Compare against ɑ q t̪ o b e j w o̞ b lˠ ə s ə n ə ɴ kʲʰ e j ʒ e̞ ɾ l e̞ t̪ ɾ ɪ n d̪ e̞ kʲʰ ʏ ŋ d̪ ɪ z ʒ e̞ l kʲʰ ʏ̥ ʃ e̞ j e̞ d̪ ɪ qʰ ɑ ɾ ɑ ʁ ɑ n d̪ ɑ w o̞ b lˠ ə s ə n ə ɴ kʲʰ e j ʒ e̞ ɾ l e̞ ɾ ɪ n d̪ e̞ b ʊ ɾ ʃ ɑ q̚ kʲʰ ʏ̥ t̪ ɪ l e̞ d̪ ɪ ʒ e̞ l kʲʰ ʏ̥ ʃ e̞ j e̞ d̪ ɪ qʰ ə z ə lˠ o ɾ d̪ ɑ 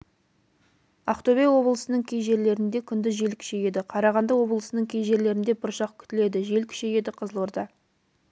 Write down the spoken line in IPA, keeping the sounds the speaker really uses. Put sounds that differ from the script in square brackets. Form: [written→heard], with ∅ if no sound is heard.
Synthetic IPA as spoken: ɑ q t̪ o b e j w o̞ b lˠ ə s ə n ə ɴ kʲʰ e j ʒ e̞ ɾ l e̞ [t̪→∅] ɾ ɪ n d̪ e̞ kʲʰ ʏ [ŋ→n] d̪ ɪ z ʒ e̞ l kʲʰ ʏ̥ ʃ e̞ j e̞ d̪ ɪ qʰ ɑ ɾ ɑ ʁ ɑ n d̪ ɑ w o̞ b lˠ ə s ə n ə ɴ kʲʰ e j ʒ e̞ ɾ l e̞ ɾ ɪ n d̪ e̞ b ʊ ɾ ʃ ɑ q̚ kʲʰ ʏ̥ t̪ ɪ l e̞ d̪ ɪ ʒ e̞ l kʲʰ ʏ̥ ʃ e̞ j e̞ d̪ ɪ qʰ ə z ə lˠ o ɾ d̪ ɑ

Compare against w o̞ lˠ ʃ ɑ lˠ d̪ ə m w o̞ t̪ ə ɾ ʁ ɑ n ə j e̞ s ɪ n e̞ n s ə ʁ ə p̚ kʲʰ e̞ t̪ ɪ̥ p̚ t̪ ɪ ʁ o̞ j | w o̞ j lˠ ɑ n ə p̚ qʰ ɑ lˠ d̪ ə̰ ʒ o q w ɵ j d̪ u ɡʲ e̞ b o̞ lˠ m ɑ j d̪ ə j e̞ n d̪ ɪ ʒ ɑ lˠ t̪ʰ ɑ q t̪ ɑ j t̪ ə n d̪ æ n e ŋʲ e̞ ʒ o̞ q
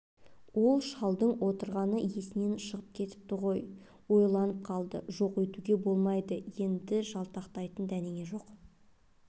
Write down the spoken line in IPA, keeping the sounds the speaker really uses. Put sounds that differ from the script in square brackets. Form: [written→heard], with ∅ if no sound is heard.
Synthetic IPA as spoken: w o̞ lˠ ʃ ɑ lˠ d̪ ə [m→ɴ] w o̞ t̪ ə ɾ ʁ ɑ n ə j e̞ s ɪ n e̞ n [s→ʃ] ə ʁ ə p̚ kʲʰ e̞ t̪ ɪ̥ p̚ t̪ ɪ ʁ o̞ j | w o̞ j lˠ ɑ n ə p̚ qʰ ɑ lˠ d̪ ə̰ ʒ o q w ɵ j [d̪→t̪] u ɡʲ e̞ b o̞ lˠ m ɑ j d̪ ə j e̞ n d̪ ɪ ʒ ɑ lˠ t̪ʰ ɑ q t̪ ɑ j t̪ ə n d̪ æ n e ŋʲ e̞ ʒ o̞ q

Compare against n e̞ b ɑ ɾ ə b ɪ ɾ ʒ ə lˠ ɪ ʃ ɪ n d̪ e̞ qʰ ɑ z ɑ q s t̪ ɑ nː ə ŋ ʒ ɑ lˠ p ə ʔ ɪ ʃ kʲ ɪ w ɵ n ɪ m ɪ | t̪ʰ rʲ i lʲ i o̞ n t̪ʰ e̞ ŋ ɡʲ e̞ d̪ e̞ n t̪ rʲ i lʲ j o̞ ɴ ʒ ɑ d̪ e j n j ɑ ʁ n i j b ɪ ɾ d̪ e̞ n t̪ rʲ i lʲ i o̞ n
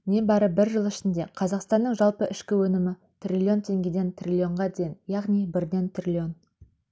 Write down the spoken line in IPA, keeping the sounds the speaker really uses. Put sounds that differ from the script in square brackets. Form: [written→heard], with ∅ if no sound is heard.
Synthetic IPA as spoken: n e̞ b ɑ ɾ ə b ɪ ɾ ʒ ə lˠ ɪ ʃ ɪ n d̪ e̞ qʰ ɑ z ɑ q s t̪ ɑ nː ə [ŋ→ɴ] ʒ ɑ lˠ p ə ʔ ɪ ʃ kʲ ɪ w ɵ n ɪ m ɪ | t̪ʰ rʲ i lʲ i o̞ n t̪ʰ e̞ ŋ ɡʲ e̞ d̪ e̞ n t̪ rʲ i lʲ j o̞ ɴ [ʒ→ʁ] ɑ d̪ e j n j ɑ ʁ n i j b ɪ ɾ d̪ e̞ n t̪ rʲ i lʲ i o̞ n

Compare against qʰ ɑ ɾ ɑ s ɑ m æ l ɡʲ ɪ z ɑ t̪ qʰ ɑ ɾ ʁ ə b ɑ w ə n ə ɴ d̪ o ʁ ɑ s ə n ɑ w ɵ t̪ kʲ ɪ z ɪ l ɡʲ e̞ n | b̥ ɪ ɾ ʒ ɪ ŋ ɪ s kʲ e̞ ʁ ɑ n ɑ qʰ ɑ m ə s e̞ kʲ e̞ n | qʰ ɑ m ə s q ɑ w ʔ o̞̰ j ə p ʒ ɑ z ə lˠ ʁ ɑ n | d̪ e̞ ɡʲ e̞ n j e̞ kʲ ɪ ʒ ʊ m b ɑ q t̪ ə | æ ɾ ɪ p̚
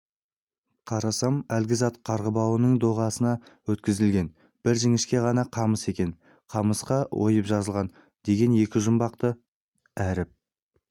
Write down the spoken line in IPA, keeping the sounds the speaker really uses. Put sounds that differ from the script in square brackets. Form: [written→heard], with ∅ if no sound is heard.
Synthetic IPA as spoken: qʰ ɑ ɾ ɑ s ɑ m æ l ɡʲ ɪ z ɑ t̪ qʰ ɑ ɾ ʁ ə b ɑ w ə n ə ɴ d̪ o ʁ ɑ s ə n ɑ w ɵ t̪ kʲ ɪ z ɪ l ɡʲ e̞ n | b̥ ɪ ɾ ʒ ɪ ŋ ɪ [s→ʃ] kʲ e̞ ʁ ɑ n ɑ qʰ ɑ m ə s e̞ kʲ e̞ n | qʰ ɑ m ə s q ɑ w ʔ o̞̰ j ə p ʒ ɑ z ə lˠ ʁ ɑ n | d̪ e̞ ɡʲ e̞ n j e̞ kʲ ɪ ʒ ʊ m b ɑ q t̪ ə | æ ɾ ɪ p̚

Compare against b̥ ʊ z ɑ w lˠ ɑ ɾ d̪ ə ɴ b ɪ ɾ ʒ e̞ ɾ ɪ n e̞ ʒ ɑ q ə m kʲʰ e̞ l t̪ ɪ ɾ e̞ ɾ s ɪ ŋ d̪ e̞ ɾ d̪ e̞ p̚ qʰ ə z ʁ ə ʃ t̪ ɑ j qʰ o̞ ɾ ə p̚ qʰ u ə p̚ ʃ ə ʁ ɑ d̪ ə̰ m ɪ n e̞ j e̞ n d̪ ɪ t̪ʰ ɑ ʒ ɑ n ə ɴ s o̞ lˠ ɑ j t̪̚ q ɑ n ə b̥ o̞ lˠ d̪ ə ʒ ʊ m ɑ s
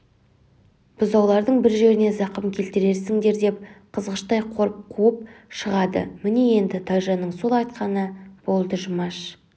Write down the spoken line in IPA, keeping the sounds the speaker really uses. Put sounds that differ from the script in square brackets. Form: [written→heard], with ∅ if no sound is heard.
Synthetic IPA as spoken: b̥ ʊ z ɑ w lˠ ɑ ɾ d̪ ə ɴ b ɪ ɾ ʒ e̞ ɾ ɪ n e̞ [ʒ→z] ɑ q ə m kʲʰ e̞ l t̪ ɪ ɾ e̞ ɾ s ɪ ŋ d̪ e̞ ɾ d̪ e̞ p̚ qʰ ə z ʁ ə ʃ t̪ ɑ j qʰ o̞ ɾ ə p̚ qʰ u ə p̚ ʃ ə ʁ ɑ d̪ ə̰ m ɪ n e̞ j e̞ n d̪ ɪ t̪ʰ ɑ ʒ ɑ n ə ɴ s o̞ lˠ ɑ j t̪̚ q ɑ n ə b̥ o̞ lˠ d̪ ə ʒ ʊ m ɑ [s→ʃ]

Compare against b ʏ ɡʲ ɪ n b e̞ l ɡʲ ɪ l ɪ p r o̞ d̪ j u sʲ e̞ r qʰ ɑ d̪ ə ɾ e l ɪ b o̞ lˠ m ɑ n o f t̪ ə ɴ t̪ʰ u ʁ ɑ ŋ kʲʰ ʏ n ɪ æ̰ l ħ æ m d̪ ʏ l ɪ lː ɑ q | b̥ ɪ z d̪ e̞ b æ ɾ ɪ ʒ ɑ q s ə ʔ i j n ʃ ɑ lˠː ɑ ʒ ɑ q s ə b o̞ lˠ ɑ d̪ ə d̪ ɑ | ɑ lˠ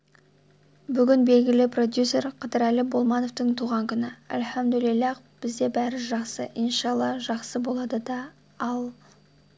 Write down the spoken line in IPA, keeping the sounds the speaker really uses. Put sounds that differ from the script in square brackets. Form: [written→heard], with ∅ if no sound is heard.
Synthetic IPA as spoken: b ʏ ɡʲ ɪ n b e̞ l ɡʲ ɪ l ɪ p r o̞ d̪ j u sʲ e̞ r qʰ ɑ d̪ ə ɾ [e→æ] l ɪ b o̞ lˠ m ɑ n o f t̪ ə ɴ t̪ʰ u ʁ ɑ ŋ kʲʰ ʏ n ɪ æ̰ l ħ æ m d̪ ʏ l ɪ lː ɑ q | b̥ ɪ z d̪ e̞ b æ ɾ ɪ ʒ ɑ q s ə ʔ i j n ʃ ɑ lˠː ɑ ʒ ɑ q s ə b o̞ lˠ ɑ d̪ ə d̪ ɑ | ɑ lˠ

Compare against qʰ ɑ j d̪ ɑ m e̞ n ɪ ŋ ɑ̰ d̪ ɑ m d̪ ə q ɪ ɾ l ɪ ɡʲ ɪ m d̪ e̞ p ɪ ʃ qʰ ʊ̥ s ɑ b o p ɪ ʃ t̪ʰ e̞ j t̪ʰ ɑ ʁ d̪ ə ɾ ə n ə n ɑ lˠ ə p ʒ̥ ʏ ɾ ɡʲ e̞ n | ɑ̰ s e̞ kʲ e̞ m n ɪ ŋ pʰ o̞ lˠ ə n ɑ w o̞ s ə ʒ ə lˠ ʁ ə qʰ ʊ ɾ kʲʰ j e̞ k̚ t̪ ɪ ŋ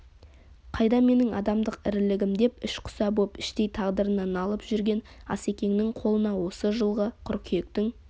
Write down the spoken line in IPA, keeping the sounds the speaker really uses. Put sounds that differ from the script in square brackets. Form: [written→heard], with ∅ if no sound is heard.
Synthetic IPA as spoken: qʰ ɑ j d̪ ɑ m e̞ n ɪ ŋ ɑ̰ d̪ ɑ m d̪ ə q ɪ ɾ l ɪ ɡʲ ɪ m d̪ e̞ p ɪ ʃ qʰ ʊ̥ s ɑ b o p ɪ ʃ [t̪ʰ→t̪] e̞ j t̪ʰ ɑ ʁ d̪ ə ɾ ə n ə n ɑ lˠ ə p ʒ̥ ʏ ɾ ɡʲ e̞ n | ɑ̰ s e̞ kʲ e̞ [m→ŋ] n ɪ ŋ [pʰ→qʰ] o̞ lˠ ə n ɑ w o̞ s ə ʒ ə lˠ ʁ ə qʰ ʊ ɾ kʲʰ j e̞ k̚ t̪ ɪ ŋ

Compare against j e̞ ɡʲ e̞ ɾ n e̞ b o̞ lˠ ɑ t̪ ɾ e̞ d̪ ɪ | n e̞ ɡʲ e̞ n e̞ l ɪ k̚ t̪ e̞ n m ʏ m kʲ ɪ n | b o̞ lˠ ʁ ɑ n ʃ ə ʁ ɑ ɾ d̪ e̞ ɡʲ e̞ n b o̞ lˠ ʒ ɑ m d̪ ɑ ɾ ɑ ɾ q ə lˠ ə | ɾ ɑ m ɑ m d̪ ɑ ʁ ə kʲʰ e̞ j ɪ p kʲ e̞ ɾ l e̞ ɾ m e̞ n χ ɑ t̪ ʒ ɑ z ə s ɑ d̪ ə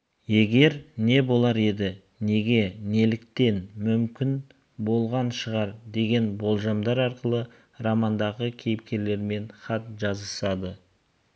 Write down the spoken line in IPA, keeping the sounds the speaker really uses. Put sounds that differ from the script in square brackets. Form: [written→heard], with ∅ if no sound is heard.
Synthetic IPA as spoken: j e̞ ɡʲ e̞ ɾ n e̞ b o̞ lˠ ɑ [t̪→∅] ɾ e̞ d̪ ɪ | n e̞ ɡʲ e̞ n e̞ l ɪ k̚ t̪ e̞ n m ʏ m kʲ ɪ n | b o̞ lˠ ʁ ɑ n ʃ ə ʁ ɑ ɾ d̪ e̞ ɡʲ e̞ n b o̞ lˠ ʒ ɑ m d̪ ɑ ɾ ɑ ɾ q ə lˠ ə | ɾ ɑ m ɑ [m→n] d̪ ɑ ʁ ə kʲʰ e̞ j ɪ p kʲ e̞ ɾ l e̞ ɾ m e̞ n χ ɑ t̪ ʒ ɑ z ə s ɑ d̪ ə

